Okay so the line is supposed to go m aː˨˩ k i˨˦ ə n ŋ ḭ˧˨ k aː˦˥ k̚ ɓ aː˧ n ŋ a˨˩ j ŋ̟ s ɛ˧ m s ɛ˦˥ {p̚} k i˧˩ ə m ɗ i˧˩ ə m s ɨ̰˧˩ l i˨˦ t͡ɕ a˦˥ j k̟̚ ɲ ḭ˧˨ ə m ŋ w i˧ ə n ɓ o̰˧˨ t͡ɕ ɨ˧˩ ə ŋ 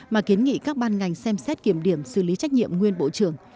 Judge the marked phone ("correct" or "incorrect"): incorrect